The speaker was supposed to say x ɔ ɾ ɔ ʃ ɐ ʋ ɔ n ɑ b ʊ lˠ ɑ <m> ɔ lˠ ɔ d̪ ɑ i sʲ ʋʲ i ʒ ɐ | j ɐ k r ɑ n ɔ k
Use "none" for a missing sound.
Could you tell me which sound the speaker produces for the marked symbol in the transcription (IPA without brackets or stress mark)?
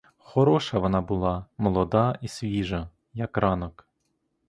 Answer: m